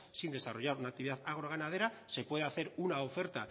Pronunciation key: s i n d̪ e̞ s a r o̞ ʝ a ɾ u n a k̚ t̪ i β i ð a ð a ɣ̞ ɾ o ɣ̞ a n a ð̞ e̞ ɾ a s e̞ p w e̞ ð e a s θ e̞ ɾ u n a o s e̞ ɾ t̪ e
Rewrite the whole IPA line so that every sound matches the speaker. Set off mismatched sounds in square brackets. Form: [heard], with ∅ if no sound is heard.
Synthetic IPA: s i n d̪ e̞ s a r o̞ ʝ a ɾ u n a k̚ t̪ i β i ð a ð a ɣ̞ ɾ o ɣ̞ a n a ð̞ e̞ ɾ a s e̞ p w e̞ ð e a [∅] θ e̞ ɾ u n a o [f] e̞ ɾ t̪ [a]